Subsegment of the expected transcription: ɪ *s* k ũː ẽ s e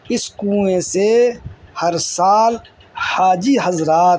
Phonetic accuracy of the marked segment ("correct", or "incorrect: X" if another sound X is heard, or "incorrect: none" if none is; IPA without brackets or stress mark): correct